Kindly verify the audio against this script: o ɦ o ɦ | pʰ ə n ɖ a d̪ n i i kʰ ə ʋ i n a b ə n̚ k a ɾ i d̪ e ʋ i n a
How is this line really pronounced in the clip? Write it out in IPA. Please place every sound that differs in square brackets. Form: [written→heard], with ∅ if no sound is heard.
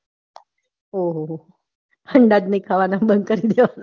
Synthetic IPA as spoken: o ɦ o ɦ | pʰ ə [n→ɳ] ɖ a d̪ n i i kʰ [ə→a] ʋ [i→a] n a b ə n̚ k [a→ə] ɾ i d̪ e ʋ [i→a] n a